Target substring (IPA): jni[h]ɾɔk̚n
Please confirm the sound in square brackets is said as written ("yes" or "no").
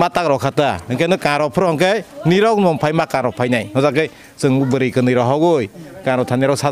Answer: no